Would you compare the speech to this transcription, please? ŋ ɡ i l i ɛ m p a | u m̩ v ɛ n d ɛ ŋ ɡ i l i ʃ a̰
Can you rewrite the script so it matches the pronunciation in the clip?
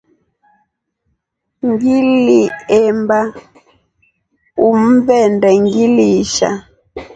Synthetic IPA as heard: ŋ ɡ i l i ɛ m b a | u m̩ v ɛ n d ɛ ŋ ɡ i l i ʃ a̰